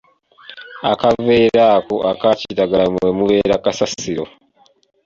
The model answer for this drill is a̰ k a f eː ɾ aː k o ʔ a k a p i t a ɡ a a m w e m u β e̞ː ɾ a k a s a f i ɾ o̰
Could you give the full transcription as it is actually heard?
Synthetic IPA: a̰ k a v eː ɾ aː k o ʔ a k a c i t a ɡ a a m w e m u β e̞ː ɾ a k a s a s i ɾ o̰